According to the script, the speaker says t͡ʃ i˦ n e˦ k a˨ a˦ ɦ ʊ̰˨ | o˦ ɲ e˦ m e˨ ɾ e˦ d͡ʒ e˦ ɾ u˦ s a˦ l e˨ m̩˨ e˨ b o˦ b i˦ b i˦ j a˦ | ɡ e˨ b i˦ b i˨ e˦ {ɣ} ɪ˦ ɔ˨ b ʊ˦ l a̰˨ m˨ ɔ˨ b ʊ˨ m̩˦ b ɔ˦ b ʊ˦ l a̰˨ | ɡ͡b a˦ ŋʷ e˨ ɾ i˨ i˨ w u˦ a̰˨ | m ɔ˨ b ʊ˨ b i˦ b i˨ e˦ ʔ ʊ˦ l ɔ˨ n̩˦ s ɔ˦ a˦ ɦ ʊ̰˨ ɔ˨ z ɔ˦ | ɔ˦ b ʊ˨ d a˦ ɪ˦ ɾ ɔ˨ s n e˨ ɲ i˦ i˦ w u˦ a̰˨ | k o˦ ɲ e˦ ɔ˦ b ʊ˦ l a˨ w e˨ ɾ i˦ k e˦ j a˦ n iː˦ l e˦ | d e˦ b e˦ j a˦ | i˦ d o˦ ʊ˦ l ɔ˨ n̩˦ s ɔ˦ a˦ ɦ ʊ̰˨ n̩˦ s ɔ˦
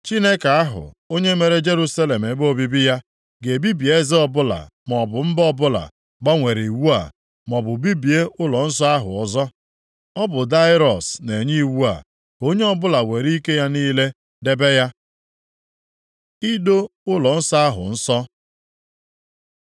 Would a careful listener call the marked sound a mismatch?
yes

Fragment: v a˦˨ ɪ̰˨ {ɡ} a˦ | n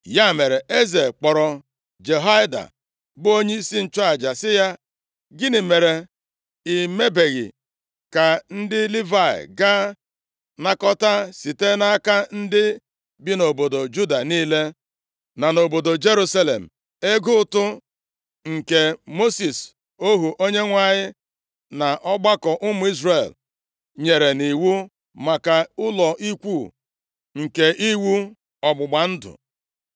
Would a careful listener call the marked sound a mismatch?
no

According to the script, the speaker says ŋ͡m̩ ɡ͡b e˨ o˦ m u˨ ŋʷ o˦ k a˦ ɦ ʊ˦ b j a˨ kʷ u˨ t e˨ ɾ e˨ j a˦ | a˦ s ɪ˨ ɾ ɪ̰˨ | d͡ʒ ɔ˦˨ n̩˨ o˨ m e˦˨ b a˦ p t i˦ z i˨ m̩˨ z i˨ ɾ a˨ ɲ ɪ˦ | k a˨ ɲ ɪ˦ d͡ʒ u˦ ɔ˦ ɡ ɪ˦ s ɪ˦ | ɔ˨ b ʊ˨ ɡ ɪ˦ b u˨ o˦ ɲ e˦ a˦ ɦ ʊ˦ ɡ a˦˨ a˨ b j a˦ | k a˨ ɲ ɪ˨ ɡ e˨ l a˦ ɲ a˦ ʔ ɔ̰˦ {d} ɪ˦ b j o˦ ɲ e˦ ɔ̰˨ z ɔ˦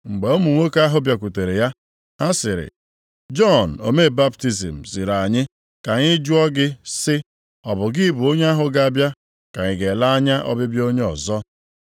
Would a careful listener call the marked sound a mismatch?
yes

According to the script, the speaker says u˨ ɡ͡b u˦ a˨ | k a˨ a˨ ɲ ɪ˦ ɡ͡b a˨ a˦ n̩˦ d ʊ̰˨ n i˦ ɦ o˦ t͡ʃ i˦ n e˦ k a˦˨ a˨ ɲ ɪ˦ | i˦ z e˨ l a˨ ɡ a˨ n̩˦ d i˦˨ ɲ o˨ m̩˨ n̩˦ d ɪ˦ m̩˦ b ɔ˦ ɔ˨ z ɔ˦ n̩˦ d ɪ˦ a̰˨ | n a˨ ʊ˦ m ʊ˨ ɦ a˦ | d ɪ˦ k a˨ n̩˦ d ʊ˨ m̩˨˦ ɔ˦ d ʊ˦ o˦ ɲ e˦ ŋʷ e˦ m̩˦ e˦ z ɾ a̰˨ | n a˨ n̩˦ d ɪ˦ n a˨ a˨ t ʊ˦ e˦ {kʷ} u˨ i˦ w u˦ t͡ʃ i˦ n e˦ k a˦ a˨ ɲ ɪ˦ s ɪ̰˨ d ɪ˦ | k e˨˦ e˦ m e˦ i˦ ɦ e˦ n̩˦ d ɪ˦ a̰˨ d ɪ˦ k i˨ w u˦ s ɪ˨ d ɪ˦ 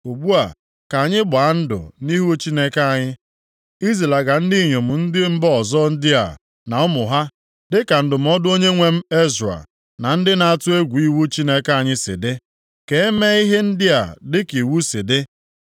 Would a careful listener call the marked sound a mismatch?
yes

